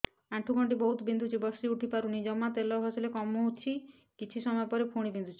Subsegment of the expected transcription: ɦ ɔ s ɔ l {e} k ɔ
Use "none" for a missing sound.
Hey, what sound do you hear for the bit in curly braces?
e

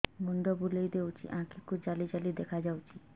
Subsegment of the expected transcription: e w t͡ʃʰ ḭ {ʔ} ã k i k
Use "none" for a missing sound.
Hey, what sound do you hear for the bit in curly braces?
ʔ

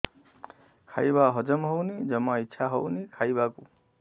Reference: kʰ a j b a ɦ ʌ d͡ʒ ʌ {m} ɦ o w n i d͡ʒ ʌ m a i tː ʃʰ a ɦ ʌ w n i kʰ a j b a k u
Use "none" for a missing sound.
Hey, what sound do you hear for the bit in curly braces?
m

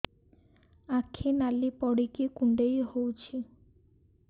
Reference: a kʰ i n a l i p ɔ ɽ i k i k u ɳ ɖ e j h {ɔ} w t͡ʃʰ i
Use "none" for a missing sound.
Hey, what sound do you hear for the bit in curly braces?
o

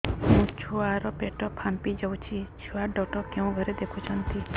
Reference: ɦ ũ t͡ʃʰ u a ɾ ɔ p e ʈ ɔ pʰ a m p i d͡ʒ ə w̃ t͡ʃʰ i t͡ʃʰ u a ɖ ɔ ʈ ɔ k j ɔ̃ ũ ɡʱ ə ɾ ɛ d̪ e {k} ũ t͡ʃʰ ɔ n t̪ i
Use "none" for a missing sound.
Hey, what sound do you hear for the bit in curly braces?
kʰ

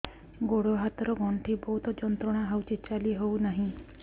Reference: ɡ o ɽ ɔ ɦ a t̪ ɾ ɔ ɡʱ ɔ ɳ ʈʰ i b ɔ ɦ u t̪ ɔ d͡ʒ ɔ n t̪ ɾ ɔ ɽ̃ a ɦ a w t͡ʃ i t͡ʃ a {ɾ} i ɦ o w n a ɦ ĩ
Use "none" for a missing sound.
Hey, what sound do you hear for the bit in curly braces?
l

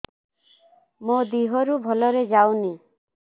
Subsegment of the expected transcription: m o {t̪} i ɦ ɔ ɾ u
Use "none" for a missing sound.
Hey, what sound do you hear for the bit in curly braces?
d̪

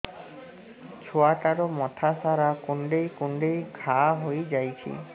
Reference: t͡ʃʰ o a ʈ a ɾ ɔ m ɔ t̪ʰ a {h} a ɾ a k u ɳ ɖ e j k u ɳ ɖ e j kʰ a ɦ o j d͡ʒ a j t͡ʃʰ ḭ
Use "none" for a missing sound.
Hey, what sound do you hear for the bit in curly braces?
s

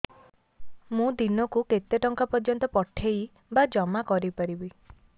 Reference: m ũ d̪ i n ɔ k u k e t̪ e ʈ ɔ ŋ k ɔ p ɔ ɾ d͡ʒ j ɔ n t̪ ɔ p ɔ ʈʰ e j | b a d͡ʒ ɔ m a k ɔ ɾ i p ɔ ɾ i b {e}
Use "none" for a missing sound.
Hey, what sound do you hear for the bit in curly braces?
i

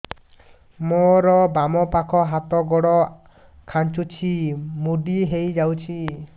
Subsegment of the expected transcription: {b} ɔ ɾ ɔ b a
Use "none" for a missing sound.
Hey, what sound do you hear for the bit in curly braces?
m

